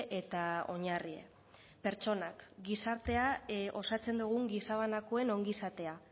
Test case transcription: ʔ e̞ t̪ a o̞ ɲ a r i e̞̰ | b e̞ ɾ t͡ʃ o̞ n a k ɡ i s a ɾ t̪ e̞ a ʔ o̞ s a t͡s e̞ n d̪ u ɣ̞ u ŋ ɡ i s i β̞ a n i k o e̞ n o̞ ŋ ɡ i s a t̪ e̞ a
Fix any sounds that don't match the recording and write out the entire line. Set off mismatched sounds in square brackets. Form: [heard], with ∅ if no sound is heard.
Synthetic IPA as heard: ʔ e̞ t̪ a o̞ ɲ a r i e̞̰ | [p] e̞ ɾ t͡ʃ o̞ n a k ɡ i s a ɾ t̪ e̞ a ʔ o̞ s a t͡s e̞ n d̪ u ɣ̞ u ŋ ɡ i s [a] β̞ a n [a] k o e̞ n o̞ ŋ ɡ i s a t̪ e̞ a